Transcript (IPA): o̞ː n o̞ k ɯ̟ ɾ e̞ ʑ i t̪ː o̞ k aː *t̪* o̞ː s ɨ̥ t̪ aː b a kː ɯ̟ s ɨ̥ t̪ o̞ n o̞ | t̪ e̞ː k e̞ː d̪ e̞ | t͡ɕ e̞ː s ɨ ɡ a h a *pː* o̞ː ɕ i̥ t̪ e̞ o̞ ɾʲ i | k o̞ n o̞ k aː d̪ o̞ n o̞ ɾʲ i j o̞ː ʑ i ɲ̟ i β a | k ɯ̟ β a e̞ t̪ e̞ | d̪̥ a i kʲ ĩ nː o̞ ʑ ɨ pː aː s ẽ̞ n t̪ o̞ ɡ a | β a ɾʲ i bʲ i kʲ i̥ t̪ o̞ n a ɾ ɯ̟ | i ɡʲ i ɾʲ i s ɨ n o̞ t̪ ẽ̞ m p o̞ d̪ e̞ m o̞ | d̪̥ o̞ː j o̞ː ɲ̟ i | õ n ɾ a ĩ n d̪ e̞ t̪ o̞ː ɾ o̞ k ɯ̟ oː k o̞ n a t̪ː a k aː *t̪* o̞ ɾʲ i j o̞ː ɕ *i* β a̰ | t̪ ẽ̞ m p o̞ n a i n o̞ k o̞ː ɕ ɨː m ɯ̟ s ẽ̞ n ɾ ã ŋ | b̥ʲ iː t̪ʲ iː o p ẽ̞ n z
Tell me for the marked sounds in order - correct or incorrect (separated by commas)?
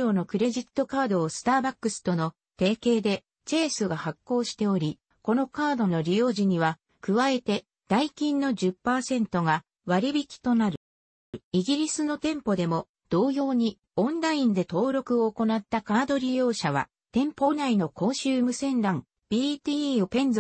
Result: incorrect, incorrect, incorrect, incorrect